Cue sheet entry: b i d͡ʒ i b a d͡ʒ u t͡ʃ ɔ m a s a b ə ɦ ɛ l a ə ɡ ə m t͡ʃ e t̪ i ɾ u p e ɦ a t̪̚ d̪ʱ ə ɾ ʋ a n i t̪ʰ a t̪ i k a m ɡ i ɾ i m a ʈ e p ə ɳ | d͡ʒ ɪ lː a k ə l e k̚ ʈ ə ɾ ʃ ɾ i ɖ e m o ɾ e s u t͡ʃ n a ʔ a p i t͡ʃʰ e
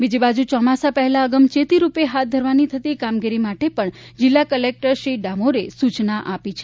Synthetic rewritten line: b i d͡ʒ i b a d͡ʒ u t͡ʃ ɔ m a s a p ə ɦ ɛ l a ə ɡ ə m t͡ʃ e t̪ i ɾ u p e ɦ a t̪̚ d̪ʱ ə ɾ ʋ a n i t̪ʰ ə t̪ i k a m ɡ i ɾ i m a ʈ e p ə ɳ | d͡ʒ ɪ lː a k ə l e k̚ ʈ ə ɾ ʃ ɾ i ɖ a m o ɾ e s u t͡ʃ n a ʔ a p i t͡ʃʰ e